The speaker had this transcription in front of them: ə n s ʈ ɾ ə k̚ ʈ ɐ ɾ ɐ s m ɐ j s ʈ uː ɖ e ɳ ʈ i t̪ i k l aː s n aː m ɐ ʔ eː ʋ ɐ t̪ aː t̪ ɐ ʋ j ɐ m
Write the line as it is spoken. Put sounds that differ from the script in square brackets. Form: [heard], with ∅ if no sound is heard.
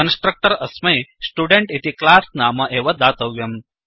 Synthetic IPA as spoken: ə n s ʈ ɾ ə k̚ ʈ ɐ ɾ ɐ s m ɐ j s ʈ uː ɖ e ɳ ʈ i t̪ i k l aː s n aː m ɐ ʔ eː ʋ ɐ [d̪] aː t̪ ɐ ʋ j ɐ m